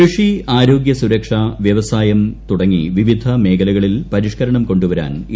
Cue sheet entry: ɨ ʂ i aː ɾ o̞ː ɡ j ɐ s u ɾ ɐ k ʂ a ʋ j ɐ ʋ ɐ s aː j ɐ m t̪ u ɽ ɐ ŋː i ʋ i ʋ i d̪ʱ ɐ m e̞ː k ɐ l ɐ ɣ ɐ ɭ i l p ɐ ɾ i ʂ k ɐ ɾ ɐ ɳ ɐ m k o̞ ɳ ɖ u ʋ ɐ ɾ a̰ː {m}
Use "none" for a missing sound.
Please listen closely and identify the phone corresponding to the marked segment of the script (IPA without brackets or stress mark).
n